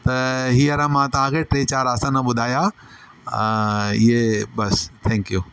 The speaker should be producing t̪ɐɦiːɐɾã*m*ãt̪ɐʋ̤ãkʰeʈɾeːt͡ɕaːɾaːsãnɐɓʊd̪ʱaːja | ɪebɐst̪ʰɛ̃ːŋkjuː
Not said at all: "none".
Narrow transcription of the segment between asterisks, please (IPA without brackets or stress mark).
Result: m